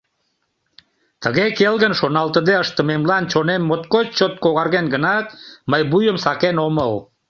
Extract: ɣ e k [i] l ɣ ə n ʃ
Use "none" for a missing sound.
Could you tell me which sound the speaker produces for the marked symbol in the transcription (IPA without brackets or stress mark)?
e